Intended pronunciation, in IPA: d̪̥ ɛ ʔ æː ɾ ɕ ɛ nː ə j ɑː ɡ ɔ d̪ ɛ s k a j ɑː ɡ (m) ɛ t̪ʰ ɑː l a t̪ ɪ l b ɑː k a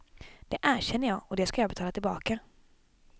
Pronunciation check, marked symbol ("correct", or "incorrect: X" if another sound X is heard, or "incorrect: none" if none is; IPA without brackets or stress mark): incorrect: b